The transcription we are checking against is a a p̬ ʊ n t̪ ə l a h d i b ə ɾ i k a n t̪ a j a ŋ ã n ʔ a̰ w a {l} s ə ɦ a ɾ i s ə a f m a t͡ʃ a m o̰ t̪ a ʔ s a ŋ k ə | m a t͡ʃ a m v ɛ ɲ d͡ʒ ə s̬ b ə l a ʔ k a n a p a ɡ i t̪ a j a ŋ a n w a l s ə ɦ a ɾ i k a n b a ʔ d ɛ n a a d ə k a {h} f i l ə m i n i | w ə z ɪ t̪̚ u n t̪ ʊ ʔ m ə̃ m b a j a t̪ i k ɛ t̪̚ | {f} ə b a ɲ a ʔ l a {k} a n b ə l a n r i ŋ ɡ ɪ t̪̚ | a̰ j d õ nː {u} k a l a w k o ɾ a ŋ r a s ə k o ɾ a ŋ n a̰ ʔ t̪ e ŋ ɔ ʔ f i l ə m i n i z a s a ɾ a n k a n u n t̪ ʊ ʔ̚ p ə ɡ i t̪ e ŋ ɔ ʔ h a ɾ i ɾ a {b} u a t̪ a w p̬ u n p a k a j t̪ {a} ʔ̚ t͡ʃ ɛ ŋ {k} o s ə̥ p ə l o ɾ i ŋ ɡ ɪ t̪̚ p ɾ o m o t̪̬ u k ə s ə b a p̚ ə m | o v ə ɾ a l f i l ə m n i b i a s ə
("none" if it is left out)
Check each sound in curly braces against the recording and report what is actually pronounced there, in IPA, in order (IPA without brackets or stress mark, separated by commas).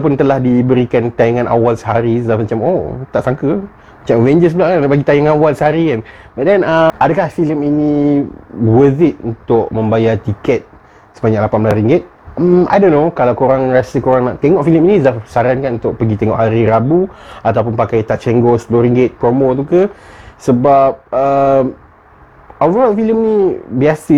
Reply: l, h, s, p, o, b, a, ɡ